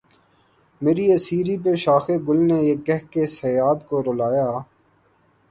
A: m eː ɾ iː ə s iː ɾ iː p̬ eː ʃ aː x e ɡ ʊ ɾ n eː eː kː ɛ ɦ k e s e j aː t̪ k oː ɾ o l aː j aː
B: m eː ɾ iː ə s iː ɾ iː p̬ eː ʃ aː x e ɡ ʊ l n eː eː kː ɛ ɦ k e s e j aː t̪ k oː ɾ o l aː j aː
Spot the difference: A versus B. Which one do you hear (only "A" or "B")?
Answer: B